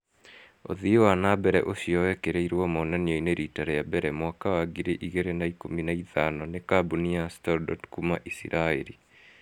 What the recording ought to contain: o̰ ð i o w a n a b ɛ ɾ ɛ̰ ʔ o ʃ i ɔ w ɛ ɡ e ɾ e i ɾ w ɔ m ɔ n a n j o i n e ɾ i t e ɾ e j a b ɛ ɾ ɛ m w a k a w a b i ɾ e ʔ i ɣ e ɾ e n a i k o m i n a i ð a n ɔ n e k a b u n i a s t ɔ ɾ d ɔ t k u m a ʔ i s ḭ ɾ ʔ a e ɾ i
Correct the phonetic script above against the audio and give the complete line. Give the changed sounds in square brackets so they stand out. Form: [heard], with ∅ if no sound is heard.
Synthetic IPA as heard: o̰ ð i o w a n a b ɛ ɾ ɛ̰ ʔ o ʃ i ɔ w ɛ [k] e ɾ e i ɾ w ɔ m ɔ n a n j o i n e ɾ i t [a] ɾ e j a b ɛ ɾ ɛ m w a k a w a [ɡ] i ɾ e ʔ i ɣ e ɾ e n a i k o m i n a i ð a n ɔ n e k a b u n i a s t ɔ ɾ d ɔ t k u m a ʔ i s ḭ ɾ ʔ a e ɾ i